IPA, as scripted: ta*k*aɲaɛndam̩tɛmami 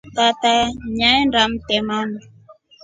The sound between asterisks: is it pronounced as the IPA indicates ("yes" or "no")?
no